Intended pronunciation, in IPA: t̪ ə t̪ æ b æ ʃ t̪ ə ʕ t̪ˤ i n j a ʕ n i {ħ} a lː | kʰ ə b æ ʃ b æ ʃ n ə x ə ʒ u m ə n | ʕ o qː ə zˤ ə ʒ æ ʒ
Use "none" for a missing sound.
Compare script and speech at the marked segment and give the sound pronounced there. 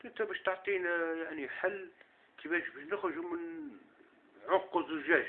ħ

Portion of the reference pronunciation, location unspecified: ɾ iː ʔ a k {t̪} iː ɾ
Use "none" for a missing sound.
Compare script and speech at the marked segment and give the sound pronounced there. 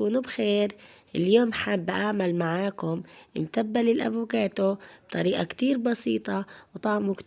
t̪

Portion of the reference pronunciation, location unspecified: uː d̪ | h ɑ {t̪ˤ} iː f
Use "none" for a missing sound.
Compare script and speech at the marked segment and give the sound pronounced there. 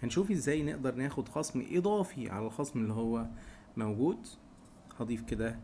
d̪ˤ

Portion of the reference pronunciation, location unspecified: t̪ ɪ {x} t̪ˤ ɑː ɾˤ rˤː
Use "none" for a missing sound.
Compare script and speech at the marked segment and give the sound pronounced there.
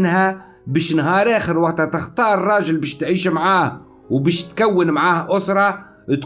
x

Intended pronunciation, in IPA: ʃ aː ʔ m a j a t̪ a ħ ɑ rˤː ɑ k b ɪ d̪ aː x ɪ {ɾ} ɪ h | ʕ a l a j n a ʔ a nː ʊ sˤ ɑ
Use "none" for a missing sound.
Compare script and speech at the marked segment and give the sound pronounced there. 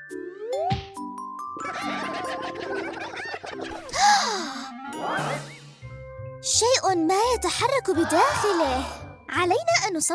l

